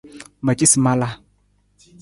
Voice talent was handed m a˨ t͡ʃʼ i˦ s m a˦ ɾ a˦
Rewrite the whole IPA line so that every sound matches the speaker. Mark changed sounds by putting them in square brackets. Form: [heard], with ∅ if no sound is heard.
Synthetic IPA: m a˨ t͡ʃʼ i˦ s m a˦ [l] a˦